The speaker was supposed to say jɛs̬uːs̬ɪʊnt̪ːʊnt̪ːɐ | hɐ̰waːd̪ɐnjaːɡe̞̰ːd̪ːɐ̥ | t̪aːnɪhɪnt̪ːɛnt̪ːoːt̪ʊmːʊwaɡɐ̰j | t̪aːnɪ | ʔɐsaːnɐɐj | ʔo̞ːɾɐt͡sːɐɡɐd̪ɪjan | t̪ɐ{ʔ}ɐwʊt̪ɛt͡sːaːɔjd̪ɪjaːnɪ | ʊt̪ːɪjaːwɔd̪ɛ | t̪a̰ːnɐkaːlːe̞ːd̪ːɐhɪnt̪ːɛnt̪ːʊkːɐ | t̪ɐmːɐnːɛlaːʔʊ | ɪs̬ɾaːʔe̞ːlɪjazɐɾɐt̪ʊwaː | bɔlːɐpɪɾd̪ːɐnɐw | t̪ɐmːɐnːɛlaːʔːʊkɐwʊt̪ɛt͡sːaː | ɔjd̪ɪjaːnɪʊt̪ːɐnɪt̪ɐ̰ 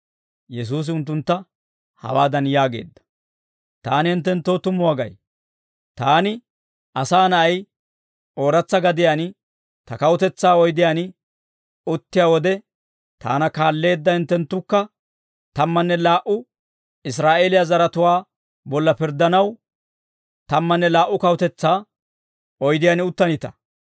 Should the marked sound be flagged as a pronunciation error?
yes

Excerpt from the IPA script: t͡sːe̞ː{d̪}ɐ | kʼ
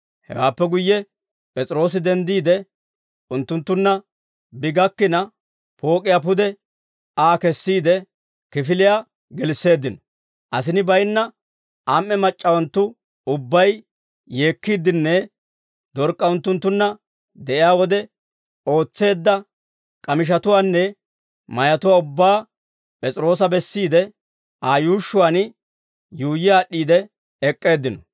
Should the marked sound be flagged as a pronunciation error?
yes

